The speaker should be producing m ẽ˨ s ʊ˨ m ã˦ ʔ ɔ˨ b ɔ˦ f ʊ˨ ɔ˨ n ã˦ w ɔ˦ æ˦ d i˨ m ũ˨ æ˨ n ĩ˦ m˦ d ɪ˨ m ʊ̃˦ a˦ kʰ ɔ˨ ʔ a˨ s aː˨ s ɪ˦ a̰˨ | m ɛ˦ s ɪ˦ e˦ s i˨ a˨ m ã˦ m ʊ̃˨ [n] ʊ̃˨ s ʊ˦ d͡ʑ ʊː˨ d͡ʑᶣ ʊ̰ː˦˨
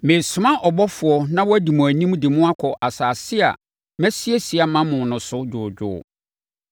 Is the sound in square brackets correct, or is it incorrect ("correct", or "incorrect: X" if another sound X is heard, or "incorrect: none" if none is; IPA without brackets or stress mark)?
correct